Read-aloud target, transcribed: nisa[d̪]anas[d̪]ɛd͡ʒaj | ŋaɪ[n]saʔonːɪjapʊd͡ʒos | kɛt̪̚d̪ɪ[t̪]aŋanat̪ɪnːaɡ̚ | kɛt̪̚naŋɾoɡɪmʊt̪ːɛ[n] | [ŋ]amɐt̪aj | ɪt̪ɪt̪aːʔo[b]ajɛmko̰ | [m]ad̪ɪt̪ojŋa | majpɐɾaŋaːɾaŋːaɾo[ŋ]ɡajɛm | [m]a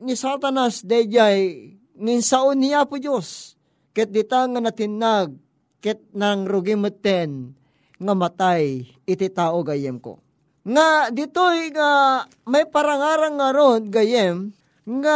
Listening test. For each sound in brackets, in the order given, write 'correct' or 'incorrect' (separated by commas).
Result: incorrect, correct, correct, correct, correct, correct, incorrect, incorrect, incorrect, incorrect